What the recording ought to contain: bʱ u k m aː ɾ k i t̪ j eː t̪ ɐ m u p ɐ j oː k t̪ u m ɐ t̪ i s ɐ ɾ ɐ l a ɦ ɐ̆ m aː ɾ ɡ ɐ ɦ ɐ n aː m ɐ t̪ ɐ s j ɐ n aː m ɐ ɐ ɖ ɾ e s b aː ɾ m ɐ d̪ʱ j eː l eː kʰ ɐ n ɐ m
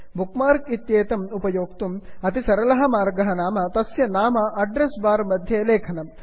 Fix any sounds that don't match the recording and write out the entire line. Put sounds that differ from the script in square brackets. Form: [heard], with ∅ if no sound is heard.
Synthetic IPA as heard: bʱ u k m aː ɾ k i t̪ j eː t̪ ɐ m u p ɐ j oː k t̪ u m ɐ t̪ i s ɐ ɾ ɐ l [ɐ] ɦ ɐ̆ m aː ɾ ɡ ɐ ɦ ɐ n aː m ɐ t̪ ɐ s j ɐ n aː m ɐ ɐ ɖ ɾ e s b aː ɾ m ɐ d̪ʱ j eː l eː kʰ ɐ n ɐ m